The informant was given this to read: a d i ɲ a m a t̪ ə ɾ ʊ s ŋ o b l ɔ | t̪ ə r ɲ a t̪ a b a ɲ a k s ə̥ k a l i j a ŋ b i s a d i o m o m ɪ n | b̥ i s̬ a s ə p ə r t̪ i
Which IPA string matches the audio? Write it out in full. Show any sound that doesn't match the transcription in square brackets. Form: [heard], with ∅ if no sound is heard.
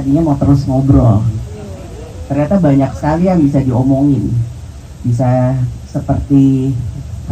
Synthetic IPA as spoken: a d i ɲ a m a t̪ ə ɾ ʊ s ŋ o b [ɾ] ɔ | t̪ ə r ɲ a t̪ a b a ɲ a k s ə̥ k a l i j a ŋ b i s a d i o m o [ŋ] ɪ n | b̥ i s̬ a s ə p ə r t̪ i